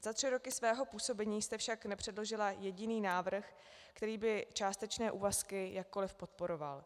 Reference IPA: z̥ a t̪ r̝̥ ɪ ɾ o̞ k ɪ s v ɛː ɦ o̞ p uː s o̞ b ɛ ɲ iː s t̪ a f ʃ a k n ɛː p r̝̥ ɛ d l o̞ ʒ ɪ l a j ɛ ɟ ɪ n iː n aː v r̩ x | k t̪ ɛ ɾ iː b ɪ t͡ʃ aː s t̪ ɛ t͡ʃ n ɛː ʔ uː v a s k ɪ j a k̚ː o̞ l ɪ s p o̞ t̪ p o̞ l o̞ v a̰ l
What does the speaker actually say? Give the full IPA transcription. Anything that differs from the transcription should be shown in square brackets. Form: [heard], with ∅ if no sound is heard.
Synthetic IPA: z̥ a t̪ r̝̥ ɪ ɾ o̞ k ɪ s v ɛː ɦ o̞ p uː s o̞ b ɛ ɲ iː s t̪ [ɛ] f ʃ a k n [ɛ] p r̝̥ ɛ d l o̞ ʒ ɪ l a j ɛ ɟ ɪ n iː n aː v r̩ x | k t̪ ɛ ɾ iː b ɪ t͡ʃ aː s t̪ ɛ t͡ʃ n ɛː ʔ uː v a s k ɪ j a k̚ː o̞ l ɪ [f] p o̞ t̪ p o̞ [ɾ] o̞ v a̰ l

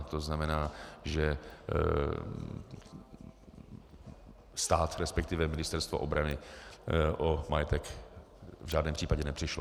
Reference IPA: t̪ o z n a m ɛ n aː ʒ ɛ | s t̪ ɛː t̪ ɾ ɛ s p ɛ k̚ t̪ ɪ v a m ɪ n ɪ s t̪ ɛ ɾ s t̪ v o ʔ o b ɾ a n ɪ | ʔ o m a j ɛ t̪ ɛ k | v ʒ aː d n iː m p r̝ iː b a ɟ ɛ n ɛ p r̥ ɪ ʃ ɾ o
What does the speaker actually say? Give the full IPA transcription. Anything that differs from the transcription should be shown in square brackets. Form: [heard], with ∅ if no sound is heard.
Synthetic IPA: t̪ o z n a m ɛ n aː ʒ ɛ | s t̪ [aː] t̪ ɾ ɛ s p ɛ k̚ t̪ ɪ v [ɛ] m ɪ n ɪ s t̪ ɛ ɾ s t̪ v o ʔ o b ɾ a n ɪ | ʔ o m a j ɛ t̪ ɛ k | v ʒ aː d n [ɛː] m p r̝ iː [p] a ɟ ɛ n ɛ p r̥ ɪ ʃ [l] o

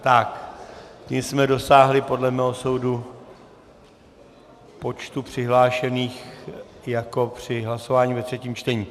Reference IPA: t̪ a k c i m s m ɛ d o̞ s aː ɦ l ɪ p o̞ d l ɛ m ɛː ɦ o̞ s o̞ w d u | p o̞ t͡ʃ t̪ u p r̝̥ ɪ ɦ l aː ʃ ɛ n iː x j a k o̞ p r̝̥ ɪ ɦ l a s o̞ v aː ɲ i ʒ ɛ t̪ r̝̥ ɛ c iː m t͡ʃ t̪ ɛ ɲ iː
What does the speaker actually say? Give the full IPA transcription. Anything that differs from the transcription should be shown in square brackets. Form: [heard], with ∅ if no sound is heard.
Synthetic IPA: t̪ a k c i m s m ɛ d o̞ s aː ɦ l ɪ p o̞ d l ɛ m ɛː ɦ o̞ s o̞ w d u | p o̞ t͡ʃ t̪ u p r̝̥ ɪ ɦ l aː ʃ ɛ n iː x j a k o̞ p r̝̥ ɪ ɦ l a s o̞ v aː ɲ i [v] ɛ t̪ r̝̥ ɛ c iː m t͡ʃ t̪ ɛ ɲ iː

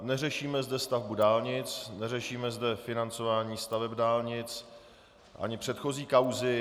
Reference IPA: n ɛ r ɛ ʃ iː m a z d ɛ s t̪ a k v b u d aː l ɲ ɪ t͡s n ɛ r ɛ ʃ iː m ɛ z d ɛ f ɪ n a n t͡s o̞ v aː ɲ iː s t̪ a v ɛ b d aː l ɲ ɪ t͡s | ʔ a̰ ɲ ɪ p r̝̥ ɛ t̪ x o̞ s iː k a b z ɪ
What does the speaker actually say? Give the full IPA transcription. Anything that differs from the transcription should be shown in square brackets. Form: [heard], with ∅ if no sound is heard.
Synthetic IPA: n ɛ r ɛ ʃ iː m [ɛ] z d ɛ s t̪ a [∅] v b u d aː l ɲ ɪ t͡s n ɛ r ɛ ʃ iː m ɛ z d ɛ f ɪ n a n t͡s o̞ v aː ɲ iː s t̪ a v ɛ b d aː l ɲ ɪ t͡s | ʔ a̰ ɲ ɪ p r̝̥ ɛ t̪ x o̞ [z] iː k a [w] z ɪ

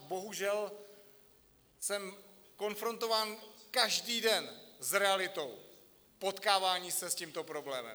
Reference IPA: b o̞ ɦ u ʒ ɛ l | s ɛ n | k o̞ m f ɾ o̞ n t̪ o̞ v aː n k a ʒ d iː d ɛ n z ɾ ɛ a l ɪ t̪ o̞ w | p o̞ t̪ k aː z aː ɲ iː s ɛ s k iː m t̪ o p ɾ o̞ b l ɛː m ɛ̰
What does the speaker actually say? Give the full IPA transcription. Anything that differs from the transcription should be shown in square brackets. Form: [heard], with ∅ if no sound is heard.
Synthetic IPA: b o̞ ɦ u ʒ ɛ l | s ɛ [m] | k o̞ [n] f ɾ o̞ n t̪ o̞ v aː n k a ʒ d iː d ɛ n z ɾ ɛ a l ɪ t̪ o̞ w | p o̞ t̪ k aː [v] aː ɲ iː s ɛ s [c] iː m t̪ o p ɾ o̞ b l ɛː m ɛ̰

